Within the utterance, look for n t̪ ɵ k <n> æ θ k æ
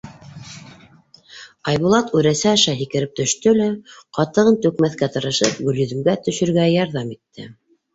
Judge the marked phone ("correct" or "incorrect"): incorrect